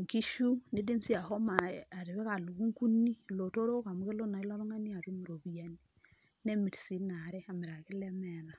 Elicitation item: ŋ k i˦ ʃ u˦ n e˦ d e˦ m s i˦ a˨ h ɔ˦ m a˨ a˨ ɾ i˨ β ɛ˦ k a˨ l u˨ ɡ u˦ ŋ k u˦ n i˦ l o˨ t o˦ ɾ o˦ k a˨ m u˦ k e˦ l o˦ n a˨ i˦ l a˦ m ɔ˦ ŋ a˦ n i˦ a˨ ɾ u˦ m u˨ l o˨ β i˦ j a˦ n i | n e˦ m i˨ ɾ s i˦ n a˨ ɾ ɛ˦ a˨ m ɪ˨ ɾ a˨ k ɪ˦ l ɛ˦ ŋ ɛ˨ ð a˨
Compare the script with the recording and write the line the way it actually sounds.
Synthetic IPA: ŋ k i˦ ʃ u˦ n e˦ d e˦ m s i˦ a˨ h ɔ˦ m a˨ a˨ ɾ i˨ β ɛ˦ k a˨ l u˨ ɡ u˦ ŋ k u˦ n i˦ l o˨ t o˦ ɾ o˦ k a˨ m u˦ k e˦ l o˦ n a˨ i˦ l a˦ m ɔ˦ ŋ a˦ n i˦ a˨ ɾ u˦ m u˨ ɾ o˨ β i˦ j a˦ n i | n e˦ m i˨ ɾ s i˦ n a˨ ɾ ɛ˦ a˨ m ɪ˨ ɾ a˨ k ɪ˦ l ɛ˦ m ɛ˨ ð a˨